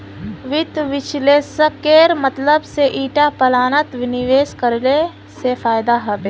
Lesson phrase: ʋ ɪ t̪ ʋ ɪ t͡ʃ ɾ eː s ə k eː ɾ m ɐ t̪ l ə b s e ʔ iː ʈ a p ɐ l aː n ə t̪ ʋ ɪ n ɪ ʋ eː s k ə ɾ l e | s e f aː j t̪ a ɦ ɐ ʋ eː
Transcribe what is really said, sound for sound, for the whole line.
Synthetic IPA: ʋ ɪ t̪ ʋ ɪ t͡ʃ l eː s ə k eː ɾ m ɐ t̪ l ə b s e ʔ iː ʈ a p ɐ l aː n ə t̪ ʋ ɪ n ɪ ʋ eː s k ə ɾ l e | s e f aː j d̪ a ɦ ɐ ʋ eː